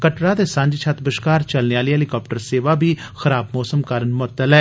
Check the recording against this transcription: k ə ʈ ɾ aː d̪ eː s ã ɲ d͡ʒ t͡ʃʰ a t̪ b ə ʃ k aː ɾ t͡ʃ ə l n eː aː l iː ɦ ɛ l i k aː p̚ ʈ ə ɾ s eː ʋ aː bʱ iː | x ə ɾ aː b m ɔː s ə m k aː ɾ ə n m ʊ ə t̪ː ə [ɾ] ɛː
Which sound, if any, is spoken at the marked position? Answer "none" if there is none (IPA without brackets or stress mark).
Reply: l